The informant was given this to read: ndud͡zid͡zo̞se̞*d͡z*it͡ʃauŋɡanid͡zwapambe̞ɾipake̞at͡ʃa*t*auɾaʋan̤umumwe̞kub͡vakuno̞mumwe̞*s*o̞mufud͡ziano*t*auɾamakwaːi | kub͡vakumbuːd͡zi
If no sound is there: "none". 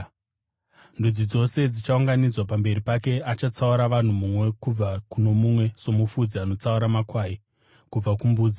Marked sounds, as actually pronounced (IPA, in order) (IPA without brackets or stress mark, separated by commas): d͡z, t͡s, s, t͡s